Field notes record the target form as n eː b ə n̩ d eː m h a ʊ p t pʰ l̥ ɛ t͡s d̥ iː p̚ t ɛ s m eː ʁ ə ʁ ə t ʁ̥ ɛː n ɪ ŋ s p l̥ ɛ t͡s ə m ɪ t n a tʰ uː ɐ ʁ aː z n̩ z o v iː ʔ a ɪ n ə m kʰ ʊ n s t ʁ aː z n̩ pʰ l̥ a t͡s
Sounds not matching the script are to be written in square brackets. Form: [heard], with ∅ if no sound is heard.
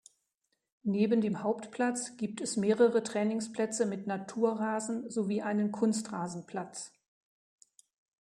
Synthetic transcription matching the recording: n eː b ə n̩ d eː m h a ʊ p t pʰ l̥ [a] t͡s [ɡ̥] iː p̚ t ɛ s m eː ʁ ə ʁ ə t ʁ̥ ɛː n ɪ ŋ s p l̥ ɛ t͡s ə m ɪ t n a tʰ uː ɐ ʁ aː z n̩ z o v iː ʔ a ɪ n ə [n] kʰ ʊ n s t ʁ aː z n̩ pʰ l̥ a t͡s